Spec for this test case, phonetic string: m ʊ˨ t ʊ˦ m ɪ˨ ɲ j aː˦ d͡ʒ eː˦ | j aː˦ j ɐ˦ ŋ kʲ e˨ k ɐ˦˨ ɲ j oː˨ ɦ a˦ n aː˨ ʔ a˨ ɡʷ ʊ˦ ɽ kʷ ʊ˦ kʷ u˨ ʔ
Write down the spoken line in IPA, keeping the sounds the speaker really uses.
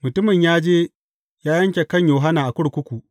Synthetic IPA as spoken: m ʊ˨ t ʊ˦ m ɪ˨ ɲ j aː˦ d͡ʒ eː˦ | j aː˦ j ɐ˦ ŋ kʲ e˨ k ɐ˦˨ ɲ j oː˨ ɦ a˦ n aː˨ ʔ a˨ kʷ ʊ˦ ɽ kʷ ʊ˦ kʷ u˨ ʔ